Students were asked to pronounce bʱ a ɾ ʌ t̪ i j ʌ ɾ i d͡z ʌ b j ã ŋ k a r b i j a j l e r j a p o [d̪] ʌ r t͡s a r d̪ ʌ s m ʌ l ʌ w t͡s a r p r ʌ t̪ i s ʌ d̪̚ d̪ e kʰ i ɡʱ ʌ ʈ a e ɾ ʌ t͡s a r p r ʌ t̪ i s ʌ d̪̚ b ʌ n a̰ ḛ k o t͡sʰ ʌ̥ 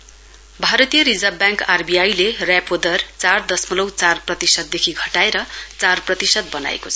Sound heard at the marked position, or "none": d̪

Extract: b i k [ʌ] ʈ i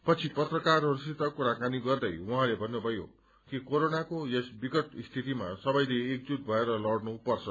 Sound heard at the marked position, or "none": ʌ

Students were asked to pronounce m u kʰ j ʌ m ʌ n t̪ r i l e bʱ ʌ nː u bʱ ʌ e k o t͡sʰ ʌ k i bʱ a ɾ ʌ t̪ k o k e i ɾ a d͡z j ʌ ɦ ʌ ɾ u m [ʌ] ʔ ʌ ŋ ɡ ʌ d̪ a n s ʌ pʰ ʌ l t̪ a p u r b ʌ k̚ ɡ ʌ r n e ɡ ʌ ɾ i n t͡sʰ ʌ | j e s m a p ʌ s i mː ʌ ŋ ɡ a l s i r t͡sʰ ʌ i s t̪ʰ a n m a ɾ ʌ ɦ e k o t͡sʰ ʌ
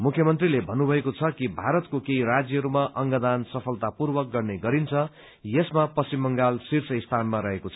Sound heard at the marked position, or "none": a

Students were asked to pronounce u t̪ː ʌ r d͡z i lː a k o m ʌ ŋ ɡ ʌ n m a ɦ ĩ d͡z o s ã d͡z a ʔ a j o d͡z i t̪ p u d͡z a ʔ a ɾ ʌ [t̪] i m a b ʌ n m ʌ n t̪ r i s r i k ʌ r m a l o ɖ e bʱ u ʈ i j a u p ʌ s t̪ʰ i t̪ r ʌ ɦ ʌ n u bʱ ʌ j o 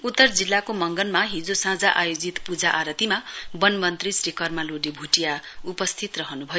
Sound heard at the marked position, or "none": t̪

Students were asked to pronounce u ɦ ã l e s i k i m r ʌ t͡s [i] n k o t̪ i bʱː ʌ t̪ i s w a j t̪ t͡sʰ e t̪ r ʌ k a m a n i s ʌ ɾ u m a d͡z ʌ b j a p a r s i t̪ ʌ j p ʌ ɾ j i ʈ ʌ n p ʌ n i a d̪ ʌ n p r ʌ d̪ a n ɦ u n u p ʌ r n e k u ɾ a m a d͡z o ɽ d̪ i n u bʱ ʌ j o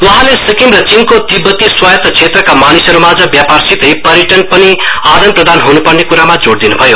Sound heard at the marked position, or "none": i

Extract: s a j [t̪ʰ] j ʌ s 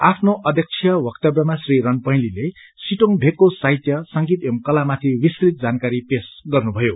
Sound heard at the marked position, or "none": t̪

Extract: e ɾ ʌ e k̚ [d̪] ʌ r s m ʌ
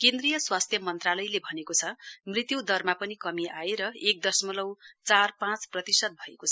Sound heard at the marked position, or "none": d̪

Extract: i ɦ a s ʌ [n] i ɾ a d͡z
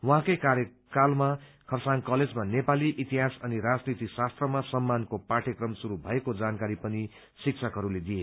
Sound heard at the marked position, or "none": n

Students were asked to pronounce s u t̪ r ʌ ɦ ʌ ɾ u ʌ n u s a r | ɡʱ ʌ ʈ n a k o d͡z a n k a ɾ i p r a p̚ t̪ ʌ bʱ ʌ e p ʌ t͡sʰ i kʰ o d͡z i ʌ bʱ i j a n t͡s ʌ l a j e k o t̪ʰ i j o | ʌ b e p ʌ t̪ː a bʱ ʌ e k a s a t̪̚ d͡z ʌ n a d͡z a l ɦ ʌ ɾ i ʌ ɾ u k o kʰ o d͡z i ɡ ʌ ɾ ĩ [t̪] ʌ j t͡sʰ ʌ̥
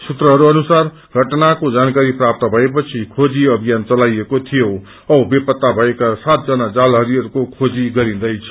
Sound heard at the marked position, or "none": d̪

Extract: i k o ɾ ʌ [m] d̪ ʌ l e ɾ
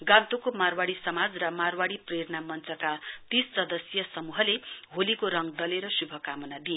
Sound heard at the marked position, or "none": ŋ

